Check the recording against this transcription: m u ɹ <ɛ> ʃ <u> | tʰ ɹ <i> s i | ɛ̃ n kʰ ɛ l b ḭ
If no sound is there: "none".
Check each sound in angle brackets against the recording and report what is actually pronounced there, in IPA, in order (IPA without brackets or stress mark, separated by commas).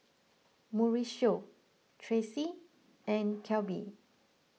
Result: i, o, e